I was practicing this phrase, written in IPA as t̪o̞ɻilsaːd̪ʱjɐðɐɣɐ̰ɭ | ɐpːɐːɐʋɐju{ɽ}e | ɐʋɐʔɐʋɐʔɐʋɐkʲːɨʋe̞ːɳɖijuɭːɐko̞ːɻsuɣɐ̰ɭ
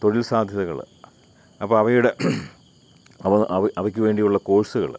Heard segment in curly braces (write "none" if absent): ɽ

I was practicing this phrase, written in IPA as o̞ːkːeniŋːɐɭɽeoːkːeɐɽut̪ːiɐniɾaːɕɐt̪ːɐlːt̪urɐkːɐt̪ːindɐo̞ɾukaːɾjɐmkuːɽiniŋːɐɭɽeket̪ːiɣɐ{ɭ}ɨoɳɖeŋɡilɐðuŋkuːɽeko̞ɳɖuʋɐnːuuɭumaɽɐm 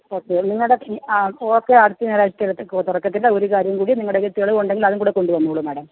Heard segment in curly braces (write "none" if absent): ɭ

